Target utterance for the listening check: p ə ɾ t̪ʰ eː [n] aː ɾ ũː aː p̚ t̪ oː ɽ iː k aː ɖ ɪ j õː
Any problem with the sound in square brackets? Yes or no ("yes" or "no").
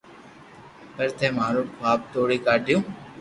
yes